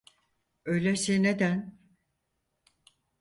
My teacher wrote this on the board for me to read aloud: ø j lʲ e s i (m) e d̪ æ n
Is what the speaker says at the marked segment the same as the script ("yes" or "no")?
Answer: no